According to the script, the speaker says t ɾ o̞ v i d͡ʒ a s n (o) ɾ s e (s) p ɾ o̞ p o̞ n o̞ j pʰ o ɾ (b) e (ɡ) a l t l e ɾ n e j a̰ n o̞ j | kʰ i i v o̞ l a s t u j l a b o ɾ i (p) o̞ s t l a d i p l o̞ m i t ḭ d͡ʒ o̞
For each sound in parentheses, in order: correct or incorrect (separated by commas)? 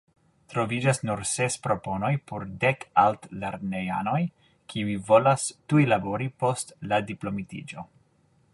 incorrect, correct, incorrect, incorrect, correct